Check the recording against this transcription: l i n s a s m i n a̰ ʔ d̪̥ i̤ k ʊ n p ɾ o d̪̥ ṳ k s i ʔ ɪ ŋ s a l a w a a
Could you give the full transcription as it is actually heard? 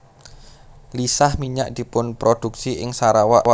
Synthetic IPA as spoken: l i s a h m i ɲ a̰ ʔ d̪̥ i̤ p ʊ n p ɾ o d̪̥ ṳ k s i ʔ ɪ ŋ s a ɾ a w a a

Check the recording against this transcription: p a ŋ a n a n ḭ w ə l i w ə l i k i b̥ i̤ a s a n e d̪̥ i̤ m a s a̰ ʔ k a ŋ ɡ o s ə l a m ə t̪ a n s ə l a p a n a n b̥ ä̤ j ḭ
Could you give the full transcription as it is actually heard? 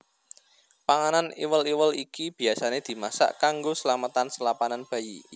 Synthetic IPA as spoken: p a ŋ a n a n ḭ w ə l i w ə l i k i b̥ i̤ a s a n e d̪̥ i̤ m a s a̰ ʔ k a ŋ ɡ o s ə l a m ə t̪ a n s ə l a p a n a n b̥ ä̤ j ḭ

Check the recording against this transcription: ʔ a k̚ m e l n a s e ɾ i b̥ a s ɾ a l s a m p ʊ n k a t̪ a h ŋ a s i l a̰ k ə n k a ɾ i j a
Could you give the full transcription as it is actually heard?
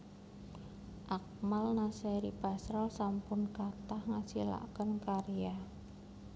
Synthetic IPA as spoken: ʔ a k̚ m a l n a s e ɾ i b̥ a s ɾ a l s a m p ʊ n k a t̪ a h ŋ a s i l a̰ k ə n k a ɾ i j a

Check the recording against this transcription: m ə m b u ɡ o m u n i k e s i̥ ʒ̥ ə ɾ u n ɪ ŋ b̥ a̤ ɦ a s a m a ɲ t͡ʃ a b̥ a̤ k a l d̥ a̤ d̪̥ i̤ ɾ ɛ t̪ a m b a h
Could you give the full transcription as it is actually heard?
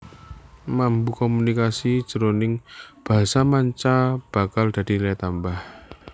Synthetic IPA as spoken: m a m b u k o m u n i k a s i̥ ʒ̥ ə ɾ o n ɪ ŋ b̥ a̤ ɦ a s a m a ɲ t͡ʃ a b̥ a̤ k a l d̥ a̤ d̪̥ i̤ l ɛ t̪ a m b a h

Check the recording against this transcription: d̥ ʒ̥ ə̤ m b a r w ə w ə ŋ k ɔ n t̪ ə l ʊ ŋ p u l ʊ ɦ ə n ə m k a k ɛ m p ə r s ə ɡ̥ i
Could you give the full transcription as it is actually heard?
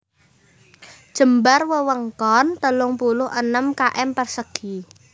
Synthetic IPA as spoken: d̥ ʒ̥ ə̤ m b a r w ə w ə ŋ k ɔ n t̪ ə l ʊ ŋ p u l ʊ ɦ ə n ə m k a ʔ ɛ m p ə r s ə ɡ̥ i

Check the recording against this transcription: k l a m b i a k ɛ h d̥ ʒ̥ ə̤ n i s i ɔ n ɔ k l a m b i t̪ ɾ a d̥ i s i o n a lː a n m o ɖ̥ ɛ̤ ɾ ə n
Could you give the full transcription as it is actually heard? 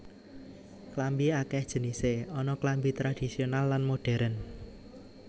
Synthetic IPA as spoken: k l a m b i a k ɛ h d̥ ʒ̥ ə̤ n i s e ɔ n ɔ k l a m b i t̪ ɾ a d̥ i s i o n a lː a n m o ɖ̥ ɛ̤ ɾ ə n

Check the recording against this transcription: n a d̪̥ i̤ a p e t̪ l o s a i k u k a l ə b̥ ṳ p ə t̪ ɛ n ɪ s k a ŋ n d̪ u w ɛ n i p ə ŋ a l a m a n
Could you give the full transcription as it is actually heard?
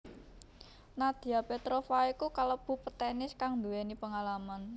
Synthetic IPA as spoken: n a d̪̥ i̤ a p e t̪ ɾ o f a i k u k a l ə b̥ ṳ p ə t̪ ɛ n ɪ s k a ŋ n d̪ u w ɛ n i p ə ŋ a l a m a n

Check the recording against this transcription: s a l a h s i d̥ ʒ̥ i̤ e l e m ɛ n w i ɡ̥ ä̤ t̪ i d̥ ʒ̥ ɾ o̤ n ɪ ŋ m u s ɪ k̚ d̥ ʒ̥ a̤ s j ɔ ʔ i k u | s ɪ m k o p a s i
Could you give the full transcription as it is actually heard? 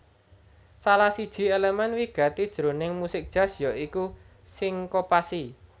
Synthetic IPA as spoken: s a l a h s i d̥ ʒ̥ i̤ e l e m ɛ n w i ɡ̥ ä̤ t̪ i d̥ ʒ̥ ɾ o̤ n ɪ ŋ m u s ɪ k̚ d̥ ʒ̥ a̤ s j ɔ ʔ i k u | s ɪ ŋ k o p a s i

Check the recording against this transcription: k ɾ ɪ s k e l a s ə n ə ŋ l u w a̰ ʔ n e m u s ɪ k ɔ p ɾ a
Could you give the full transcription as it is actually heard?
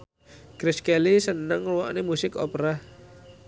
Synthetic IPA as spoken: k ɾ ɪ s k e l i s ə n ə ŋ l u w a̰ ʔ n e m u s ɪ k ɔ p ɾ a

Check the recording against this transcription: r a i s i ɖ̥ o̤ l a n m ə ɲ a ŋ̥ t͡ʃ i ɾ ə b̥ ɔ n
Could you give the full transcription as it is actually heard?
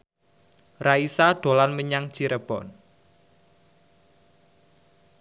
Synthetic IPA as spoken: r a i s a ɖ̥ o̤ l a n m ə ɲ a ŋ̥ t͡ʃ i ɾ ə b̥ ɔ n

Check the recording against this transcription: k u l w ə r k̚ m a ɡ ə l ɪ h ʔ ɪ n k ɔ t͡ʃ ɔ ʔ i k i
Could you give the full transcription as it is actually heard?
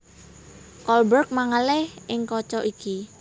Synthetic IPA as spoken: k ɔ l b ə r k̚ m a ŋ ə l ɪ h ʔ ɪ ŋ k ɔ t͡ʃ ɔ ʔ i k i

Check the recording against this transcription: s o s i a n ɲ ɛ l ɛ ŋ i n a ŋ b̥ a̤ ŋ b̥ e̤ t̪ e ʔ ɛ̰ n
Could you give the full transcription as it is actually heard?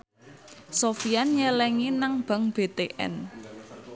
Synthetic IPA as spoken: s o f i a n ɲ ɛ l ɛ ŋ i n a ŋ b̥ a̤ ŋ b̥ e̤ t̪ e ʔ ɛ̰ n

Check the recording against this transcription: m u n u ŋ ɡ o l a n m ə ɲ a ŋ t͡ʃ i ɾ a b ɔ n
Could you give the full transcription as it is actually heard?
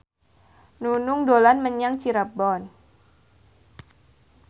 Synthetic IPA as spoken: n u n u ŋ d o l a n m ə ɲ a ŋ t͡ʃ i ɾ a b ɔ n

